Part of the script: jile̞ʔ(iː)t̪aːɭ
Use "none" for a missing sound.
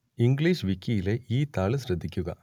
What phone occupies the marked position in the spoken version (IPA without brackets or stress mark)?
iː